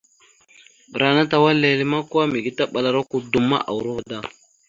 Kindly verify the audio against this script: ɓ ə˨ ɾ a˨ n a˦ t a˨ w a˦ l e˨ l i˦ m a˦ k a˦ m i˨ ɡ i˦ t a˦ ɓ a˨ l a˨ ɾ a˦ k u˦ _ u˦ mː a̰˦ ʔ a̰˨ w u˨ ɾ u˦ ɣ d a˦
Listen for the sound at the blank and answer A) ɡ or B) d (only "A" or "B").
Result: B